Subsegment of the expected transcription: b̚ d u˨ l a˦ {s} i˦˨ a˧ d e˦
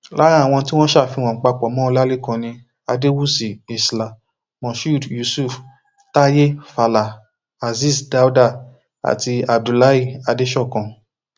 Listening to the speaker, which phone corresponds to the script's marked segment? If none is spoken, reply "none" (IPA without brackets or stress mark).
none